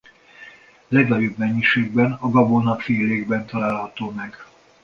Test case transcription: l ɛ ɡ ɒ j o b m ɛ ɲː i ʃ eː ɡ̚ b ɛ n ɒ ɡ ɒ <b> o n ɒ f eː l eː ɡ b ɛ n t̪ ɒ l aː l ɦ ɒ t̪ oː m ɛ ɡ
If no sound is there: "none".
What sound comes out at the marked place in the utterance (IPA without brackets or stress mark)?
b